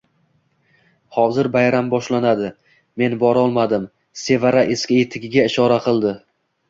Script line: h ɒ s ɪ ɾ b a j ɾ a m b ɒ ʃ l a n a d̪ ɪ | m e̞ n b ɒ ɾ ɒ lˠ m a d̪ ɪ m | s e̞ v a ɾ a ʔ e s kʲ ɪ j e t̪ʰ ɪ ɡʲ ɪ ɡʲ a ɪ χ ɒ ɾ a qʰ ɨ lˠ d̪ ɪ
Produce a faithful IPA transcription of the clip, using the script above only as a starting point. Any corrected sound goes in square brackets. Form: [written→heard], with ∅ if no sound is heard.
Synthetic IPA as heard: h ɒ [s→z] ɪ ɾ b a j ɾ a m b ɒ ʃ l a n a d̪ ɪ | m e̞ n b ɒ ɾ ɒ lˠ m a d̪ ɪ m | s e̞ v a ɾ a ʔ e s kʲ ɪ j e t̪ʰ ɪ ɡʲ ɪ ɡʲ a ɪ [χ→ʃ] ɒ ɾ a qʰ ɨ lˠ d̪ ɪ